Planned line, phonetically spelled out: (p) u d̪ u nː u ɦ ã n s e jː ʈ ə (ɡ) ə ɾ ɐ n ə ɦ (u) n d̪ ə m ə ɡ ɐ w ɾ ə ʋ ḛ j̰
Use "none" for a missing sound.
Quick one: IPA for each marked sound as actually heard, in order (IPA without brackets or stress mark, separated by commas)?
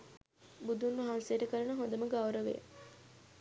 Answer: b, k, o